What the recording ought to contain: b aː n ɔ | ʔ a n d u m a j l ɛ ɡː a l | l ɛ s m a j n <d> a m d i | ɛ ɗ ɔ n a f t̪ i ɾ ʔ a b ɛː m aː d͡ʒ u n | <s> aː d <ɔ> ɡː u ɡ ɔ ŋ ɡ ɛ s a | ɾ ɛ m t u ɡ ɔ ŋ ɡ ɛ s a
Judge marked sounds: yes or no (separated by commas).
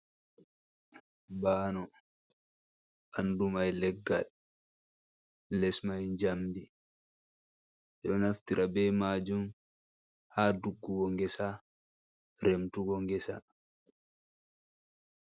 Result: no, no, no